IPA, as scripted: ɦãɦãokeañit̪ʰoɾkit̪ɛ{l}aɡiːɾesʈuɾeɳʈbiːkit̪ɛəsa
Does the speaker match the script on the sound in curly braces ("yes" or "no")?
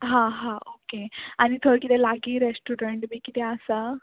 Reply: yes